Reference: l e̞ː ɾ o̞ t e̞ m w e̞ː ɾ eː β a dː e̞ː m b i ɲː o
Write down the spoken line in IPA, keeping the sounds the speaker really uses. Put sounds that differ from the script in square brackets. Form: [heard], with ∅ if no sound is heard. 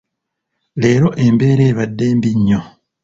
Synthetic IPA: l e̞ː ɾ o̞ [ʔ] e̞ m [b] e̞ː ɾ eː β a dː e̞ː m b i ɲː o

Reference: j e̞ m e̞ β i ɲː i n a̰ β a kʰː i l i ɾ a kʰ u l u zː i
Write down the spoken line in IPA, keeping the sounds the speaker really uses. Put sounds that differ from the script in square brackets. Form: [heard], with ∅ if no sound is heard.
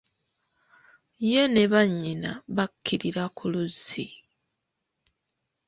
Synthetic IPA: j e̞ [n] e̞ β [a] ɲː i n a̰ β a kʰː i [ɾ] i ɾ a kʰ u l u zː i

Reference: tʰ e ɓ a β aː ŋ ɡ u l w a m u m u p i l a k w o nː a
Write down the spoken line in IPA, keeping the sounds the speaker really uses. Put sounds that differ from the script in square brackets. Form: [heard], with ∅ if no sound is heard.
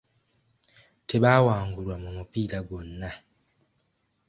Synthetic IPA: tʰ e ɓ a [w] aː ŋ ɡ u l w a m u m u p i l a [ɡ] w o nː a

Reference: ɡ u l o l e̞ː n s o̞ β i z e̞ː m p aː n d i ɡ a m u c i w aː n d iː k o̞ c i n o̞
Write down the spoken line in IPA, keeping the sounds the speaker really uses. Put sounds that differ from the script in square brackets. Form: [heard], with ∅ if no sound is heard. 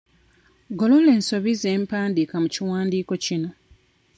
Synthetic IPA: ɡ [o] l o l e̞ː n s o̞ β i z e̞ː m p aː n d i [k] a m u c i w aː n d iː k o̞ c i n o̞

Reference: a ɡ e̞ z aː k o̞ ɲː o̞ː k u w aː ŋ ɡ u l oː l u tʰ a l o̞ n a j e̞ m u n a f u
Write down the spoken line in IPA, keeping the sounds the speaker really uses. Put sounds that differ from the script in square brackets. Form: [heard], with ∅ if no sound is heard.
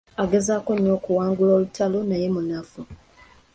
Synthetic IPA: a ɡ e̞ z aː k o̞ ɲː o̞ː k u w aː ŋ ɡ u l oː l u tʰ a l o̞ n a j e̞ m u n a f u

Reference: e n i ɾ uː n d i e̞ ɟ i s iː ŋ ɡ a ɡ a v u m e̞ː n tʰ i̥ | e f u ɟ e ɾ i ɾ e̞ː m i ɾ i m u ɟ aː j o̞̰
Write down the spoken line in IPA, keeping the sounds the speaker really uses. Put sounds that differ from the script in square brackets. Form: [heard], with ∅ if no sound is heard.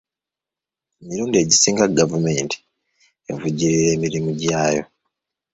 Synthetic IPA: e [m] i ɾ uː n d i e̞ ɟ i s iː ŋ ɡ a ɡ a v u m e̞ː n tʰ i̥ | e [v] u ɟ [i] ɾ i ɾ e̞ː m i ɾ i m u ɟ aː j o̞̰

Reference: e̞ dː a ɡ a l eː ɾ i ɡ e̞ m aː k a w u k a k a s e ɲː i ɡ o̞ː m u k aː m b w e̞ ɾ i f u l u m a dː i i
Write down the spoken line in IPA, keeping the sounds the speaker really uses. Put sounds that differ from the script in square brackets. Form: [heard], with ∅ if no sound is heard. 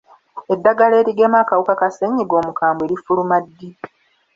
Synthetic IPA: e̞ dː a ɡ a l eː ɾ i ɡ e̞ m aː k a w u k a k a s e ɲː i ɡ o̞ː m u k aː m b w e̞ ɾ i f u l u m a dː i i

